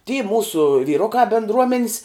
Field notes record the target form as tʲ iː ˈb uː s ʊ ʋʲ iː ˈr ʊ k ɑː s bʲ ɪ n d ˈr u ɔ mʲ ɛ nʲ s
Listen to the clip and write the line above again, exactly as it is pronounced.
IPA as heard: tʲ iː ˈm uː s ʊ ʋʲ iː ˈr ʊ k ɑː bʲ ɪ n d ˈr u ɔ mʲ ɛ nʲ s